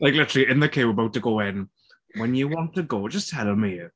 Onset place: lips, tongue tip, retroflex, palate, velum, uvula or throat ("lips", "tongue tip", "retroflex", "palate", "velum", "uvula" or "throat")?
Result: tongue tip